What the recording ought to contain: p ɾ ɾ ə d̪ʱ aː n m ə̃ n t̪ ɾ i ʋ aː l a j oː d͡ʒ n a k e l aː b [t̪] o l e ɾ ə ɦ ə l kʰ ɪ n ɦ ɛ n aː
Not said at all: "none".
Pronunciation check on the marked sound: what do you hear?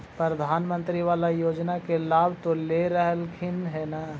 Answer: t̪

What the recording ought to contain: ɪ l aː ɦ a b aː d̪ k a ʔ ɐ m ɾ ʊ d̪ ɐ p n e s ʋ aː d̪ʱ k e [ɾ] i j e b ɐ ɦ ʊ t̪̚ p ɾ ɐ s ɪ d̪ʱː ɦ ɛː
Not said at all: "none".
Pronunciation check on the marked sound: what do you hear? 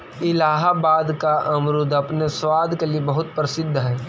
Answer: l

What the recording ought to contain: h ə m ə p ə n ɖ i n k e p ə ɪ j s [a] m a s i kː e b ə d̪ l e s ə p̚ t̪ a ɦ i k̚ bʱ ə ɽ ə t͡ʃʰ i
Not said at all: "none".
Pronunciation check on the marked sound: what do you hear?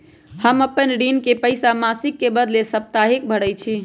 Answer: a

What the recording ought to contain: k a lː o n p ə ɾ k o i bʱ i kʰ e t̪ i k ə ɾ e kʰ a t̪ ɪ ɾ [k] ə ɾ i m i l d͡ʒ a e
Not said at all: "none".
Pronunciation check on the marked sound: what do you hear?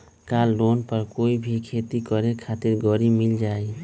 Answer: ɡ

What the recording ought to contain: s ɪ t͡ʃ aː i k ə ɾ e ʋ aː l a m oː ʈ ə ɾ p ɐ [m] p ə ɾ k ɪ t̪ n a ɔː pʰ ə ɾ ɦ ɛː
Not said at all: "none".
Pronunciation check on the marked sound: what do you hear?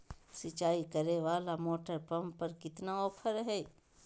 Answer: m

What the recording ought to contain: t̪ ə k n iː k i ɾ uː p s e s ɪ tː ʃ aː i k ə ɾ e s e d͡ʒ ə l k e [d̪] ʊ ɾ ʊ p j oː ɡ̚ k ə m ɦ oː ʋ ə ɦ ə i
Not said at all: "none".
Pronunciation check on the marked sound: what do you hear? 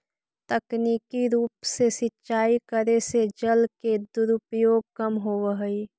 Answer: d̪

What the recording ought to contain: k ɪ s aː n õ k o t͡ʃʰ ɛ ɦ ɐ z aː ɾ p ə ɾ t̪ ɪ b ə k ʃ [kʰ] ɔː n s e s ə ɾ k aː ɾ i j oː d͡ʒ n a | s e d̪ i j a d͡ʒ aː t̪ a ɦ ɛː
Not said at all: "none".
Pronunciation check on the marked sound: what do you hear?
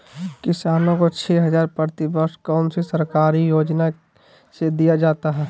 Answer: k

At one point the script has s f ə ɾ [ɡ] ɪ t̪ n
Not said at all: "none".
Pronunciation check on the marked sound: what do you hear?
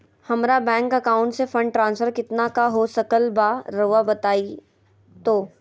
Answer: k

